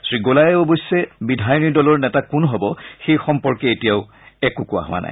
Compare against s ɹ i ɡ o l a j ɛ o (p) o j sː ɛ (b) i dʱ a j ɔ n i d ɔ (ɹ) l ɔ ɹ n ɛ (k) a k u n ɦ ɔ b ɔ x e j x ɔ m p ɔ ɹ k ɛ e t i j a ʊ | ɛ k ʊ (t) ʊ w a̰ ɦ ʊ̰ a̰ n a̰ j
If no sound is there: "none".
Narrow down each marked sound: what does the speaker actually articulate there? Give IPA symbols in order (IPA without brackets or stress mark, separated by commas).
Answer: b, b, none, t, k